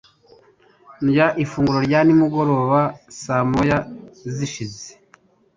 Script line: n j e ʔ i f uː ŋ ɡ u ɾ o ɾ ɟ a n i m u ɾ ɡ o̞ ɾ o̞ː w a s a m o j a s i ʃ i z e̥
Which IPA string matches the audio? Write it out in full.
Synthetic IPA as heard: n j a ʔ i f uː ŋ ɡ u ɾ o ɾ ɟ a n i m u ɡ o̞ ɾ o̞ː β a s a m o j a z i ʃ i z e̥